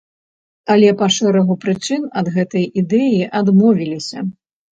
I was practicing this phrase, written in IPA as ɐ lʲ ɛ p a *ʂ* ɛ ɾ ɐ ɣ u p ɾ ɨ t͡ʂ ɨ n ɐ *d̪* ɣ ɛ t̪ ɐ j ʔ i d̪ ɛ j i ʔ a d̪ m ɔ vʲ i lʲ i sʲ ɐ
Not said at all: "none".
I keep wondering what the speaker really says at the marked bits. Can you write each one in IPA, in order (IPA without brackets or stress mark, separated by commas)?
ʂ, d̪